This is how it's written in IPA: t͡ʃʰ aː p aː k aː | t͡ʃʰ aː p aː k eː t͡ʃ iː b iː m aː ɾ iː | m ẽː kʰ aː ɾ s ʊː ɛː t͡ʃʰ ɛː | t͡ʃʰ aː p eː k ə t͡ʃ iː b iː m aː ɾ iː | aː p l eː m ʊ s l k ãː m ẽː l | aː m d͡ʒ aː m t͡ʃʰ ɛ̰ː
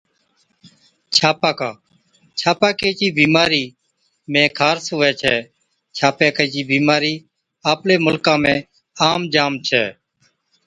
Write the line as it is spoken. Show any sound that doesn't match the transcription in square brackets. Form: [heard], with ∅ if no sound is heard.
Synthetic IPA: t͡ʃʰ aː p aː k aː | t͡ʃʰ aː p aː k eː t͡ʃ iː b iː m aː ɾ iː | m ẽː kʰ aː ɾ s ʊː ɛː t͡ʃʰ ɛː | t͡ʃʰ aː p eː k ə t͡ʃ iː b iː m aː ɾ iː | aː p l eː m ʊ [∅] l k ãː m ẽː [∅] | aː m d͡ʒ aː m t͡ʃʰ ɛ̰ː